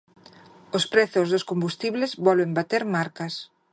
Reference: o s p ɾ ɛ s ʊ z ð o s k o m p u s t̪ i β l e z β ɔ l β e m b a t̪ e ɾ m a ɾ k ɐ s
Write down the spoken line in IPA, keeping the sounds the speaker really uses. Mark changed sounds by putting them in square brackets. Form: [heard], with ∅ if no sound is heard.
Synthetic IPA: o s p ɾ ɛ [θ] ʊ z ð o s k o m [b] u s t̪ i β l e z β ɔ l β e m b a t̪ e ɾ m a ɾ k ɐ s